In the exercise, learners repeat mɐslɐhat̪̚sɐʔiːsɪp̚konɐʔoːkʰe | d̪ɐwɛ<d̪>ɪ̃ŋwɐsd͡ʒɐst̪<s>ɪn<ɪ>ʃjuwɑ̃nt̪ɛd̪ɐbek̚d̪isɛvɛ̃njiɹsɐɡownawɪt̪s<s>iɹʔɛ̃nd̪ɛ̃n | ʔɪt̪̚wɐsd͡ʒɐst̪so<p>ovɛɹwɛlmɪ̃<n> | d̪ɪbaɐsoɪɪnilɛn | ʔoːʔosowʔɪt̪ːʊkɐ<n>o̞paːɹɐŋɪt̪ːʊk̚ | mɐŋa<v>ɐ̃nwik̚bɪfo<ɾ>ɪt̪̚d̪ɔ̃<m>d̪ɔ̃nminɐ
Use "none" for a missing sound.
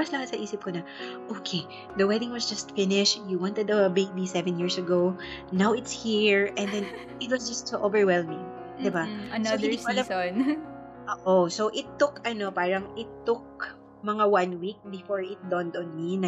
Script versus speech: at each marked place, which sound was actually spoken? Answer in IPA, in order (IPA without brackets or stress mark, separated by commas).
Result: d̪, f, ɪ, h, ʔ, ŋ, n, w, ɹ, n